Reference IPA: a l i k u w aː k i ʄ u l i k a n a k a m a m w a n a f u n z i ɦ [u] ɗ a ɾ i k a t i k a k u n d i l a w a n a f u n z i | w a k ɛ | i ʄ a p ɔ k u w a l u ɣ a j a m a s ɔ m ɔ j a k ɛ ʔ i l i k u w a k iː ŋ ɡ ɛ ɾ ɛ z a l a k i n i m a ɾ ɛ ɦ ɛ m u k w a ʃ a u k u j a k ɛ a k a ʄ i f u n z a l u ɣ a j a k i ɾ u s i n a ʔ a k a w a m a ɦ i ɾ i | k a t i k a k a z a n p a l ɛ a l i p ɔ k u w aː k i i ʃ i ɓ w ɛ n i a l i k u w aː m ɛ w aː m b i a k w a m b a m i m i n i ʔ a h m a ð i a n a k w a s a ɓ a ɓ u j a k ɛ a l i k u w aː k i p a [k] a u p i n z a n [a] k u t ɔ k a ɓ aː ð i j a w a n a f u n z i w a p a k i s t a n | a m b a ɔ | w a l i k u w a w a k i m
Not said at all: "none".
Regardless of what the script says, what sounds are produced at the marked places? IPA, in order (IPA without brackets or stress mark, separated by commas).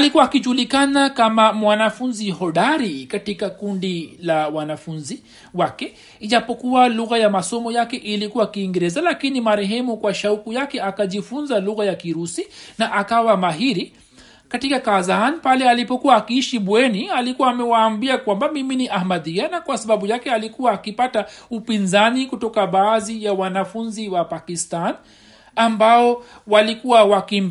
ɔ, t, i